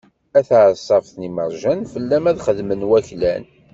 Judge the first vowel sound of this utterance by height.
low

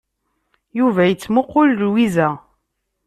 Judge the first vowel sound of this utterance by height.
high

